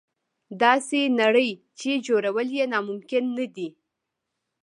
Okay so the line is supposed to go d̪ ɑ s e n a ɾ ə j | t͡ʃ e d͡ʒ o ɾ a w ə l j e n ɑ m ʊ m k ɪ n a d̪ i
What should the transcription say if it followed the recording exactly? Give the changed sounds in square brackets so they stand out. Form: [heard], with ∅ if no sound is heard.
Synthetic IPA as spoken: d̪ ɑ s e n a [ɽ] ə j | t͡ʃ e d͡ʒ o ɾ a w ə l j e n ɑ m ʊ m k ɪ [nː] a d̪ i